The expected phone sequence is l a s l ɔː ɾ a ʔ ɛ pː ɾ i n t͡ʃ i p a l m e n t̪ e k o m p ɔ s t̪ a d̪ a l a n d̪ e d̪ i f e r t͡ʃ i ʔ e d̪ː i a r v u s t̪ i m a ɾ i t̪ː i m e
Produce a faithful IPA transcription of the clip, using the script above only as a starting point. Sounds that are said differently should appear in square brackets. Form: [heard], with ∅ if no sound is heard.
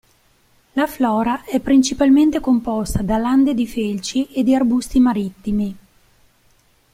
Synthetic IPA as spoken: l a [f] l ɔː ɾ a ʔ ɛ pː ɾ i n t͡ʃ i p a l m e n t̪ e k o m p ɔ s t̪ a d̪ a l a n d̪ e d̪ i f e [l] t͡ʃ i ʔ e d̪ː i a r [b] u s t̪ i m a ɾ i t̪ː i m [i]

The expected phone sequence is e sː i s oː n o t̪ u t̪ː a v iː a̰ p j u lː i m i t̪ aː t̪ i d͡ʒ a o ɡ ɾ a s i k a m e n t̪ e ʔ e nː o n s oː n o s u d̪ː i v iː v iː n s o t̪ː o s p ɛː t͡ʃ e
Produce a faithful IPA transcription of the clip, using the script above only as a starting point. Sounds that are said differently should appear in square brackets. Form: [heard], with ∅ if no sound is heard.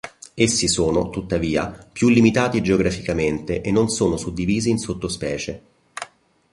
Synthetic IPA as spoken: e sː i s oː n o t̪ u t̪ː a v iː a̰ p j u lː i m i t̪ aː t̪ i d͡ʒ [e] o ɡ ɾ a [f] i k a m e n t̪ e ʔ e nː o n s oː n o s u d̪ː i v iː [z] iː n s o t̪ː o s p ɛː t͡ʃ e

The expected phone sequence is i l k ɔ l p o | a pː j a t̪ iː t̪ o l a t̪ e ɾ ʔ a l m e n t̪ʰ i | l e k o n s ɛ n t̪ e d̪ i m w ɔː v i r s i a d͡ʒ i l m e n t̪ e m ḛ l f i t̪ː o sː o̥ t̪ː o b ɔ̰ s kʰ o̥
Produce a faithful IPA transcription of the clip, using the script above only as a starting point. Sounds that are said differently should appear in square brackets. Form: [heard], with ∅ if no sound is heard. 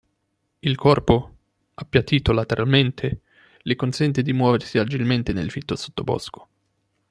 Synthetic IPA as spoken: i l k ɔ [r] p o | a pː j a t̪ iː t̪ o l a t̪ e ɾ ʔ a l m e n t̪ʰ [e] | l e k o n s ɛ n t̪ e d̪ i m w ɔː v [e] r s i a d͡ʒ i l m e n t̪ e [n] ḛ l f i t̪ː o [s] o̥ t̪ː o b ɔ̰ s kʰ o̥

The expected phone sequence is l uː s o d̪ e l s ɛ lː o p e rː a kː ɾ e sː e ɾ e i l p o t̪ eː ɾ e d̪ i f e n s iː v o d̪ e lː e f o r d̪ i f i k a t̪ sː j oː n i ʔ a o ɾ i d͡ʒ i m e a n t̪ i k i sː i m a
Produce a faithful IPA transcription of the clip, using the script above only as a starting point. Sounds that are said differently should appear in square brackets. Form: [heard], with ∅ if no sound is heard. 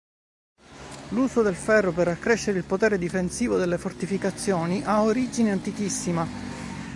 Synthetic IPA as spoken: l uː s o d̪ e l [f] ɛ [rː] o p e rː a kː ɾ e [ʃː] e ɾ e i l p o t̪ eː ɾ e d̪ i f e n s iː v o d̪ e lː e f o r [t̪] i f i k a t̪ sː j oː n i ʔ a o ɾ i d͡ʒ i [n] e a n t̪ i k i sː i m a

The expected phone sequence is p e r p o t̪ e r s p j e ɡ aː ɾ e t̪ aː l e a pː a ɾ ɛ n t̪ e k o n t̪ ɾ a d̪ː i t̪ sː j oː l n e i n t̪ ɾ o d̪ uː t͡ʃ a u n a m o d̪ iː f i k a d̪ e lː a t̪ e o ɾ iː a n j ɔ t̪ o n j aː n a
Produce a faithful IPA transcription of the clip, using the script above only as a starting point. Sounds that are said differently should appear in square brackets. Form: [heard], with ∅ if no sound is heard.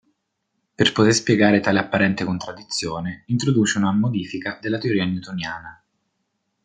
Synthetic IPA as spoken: p e r p o t̪ e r s p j e ɡ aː ɾ e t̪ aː l e a pː a ɾ ɛ n t̪ e k o n t̪ ɾ a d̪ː i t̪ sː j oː [∅] n e i n t̪ ɾ o d̪ uː t͡ʃ [e] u n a m o d̪ iː f i k a d̪ e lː a t̪ e o ɾ iː a n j [u] t̪ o n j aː n a

